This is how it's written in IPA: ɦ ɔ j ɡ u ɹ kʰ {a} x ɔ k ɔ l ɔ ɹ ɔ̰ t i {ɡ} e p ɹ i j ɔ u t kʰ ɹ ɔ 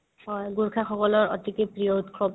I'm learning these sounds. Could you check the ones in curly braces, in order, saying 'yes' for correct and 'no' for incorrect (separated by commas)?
yes, no